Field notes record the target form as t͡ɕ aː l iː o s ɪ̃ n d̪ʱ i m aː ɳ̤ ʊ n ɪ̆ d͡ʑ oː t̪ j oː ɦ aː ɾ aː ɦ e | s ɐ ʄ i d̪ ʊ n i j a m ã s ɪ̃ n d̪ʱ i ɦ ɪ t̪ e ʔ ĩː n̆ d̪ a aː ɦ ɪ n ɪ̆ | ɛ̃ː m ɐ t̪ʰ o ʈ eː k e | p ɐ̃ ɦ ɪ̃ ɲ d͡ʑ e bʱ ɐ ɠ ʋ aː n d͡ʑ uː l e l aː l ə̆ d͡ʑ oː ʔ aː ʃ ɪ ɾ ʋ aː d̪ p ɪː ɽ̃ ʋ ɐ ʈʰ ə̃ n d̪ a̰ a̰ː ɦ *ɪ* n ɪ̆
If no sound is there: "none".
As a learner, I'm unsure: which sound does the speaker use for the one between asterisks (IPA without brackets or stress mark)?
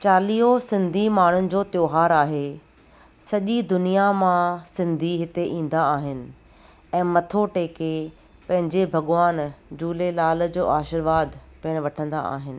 ɪ